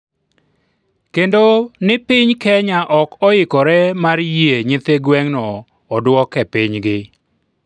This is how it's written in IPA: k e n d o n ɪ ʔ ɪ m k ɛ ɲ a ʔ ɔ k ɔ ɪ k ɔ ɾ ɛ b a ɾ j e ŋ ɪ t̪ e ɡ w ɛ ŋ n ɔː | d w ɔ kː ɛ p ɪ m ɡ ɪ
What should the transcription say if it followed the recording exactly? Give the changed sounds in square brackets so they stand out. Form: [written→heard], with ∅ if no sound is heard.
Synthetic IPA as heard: k e n d o n ɪ [ʔ→p] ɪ [m→ɲ] k ɛ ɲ a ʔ ɔ k ɔ ɪ k ɔ ɾ ɛ [b→m] a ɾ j e [ŋ→ɲ] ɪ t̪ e ɡ w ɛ ŋ n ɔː | d w ɔ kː ɛ p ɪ [m→ɲ] ɡ ɪ